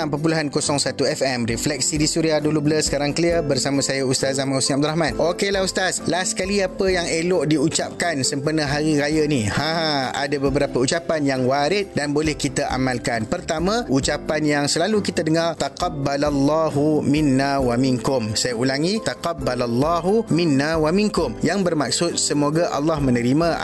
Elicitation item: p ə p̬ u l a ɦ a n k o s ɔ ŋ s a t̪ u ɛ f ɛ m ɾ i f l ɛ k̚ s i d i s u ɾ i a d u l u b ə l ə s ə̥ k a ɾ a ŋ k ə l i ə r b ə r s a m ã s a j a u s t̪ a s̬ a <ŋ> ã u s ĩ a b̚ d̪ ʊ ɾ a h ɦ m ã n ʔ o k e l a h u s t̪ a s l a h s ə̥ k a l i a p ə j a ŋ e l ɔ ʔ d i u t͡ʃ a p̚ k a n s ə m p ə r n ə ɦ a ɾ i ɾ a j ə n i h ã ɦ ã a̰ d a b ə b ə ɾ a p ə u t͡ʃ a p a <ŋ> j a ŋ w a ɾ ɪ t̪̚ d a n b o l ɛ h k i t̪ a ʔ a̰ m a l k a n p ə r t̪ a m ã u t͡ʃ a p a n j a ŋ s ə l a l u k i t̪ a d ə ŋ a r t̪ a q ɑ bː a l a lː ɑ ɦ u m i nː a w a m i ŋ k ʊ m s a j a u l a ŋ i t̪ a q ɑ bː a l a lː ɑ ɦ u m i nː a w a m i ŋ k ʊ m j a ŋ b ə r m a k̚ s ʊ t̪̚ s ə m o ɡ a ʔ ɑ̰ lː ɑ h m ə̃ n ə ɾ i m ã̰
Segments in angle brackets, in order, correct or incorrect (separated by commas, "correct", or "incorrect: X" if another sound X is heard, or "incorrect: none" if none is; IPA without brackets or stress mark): incorrect: m, incorrect: n